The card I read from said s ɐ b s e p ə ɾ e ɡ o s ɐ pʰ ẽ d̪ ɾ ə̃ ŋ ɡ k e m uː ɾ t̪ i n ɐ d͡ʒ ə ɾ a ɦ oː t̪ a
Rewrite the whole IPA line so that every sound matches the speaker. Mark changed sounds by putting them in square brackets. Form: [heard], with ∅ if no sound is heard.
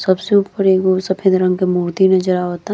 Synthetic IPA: s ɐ b s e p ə ɾ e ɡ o s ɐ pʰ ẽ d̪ ɾ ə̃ ŋ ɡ k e m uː ɾ t̪ i n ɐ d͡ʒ ə ɾ a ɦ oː t̪ a